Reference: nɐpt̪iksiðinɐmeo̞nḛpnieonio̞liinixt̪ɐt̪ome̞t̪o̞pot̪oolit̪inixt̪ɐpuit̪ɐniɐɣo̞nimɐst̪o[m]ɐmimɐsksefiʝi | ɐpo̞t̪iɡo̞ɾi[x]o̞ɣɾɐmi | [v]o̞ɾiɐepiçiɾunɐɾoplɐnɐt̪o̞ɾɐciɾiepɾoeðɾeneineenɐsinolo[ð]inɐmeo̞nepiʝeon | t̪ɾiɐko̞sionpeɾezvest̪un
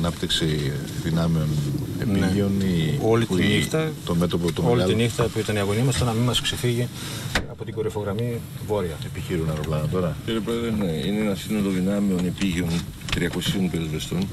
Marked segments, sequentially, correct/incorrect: incorrect: n, incorrect: f, correct, correct

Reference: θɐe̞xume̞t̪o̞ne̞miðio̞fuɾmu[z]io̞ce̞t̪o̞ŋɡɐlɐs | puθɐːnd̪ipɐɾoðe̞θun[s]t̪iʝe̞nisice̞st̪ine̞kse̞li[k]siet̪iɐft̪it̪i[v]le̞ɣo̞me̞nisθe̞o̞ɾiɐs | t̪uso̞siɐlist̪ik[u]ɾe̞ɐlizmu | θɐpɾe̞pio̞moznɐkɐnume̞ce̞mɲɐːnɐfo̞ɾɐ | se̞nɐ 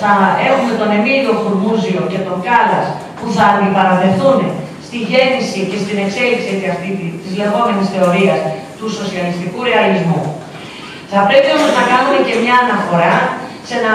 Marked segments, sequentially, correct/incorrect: correct, correct, correct, incorrect: z, correct

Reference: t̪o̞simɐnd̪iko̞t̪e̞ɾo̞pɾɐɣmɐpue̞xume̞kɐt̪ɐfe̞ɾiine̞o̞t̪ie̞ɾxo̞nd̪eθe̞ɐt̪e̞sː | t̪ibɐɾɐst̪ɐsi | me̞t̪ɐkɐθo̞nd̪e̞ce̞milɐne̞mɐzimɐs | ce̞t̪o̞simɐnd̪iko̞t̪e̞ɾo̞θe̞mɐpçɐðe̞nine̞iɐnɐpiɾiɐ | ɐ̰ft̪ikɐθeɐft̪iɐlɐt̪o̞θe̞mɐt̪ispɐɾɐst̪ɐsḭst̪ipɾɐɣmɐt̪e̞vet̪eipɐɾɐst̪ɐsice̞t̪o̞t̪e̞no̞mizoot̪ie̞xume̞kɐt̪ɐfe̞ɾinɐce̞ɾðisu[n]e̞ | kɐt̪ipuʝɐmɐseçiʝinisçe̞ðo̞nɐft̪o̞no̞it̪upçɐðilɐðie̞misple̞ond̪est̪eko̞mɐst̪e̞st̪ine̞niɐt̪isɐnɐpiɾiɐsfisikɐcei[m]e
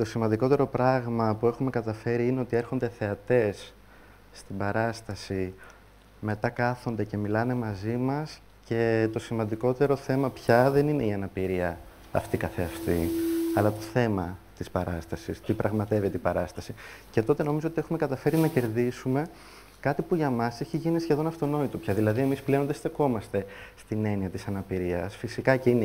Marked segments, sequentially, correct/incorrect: incorrect: m, incorrect: n

